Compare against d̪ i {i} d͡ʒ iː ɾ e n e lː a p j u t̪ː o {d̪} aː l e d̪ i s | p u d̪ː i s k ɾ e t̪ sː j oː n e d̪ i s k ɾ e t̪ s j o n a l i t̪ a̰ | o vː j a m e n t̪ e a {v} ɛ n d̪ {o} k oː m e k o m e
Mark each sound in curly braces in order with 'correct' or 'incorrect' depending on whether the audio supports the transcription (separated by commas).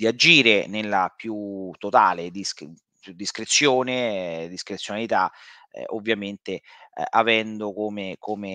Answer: incorrect, incorrect, correct, correct